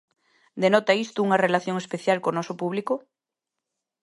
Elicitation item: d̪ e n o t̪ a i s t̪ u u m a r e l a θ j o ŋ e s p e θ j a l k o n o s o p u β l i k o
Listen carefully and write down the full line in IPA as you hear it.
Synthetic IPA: d̪ e n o t̪ a i s t̪ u u ŋ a r e l a θ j o ŋ e s p e θ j a l k o n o s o p u β l i k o